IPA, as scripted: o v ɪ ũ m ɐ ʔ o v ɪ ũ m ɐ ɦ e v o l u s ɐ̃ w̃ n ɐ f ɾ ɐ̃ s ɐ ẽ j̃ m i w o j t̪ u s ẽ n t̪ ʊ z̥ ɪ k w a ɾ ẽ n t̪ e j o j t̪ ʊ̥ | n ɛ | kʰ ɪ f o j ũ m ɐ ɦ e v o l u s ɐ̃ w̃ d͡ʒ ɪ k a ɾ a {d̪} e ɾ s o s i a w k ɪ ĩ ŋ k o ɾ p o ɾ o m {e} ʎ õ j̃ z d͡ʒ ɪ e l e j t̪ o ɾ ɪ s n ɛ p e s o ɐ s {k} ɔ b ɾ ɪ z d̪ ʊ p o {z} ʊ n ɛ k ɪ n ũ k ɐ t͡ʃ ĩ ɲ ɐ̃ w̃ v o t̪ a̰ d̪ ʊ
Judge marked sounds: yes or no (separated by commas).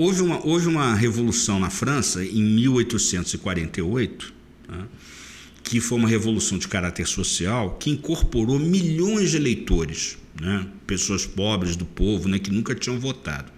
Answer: no, no, no, no